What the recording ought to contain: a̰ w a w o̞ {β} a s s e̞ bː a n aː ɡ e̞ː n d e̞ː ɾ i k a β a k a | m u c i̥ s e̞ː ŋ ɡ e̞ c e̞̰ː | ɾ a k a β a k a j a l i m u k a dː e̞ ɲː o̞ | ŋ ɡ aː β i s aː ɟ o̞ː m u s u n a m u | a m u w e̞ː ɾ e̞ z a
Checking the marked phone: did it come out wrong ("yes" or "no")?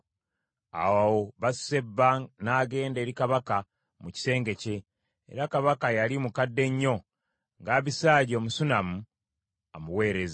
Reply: no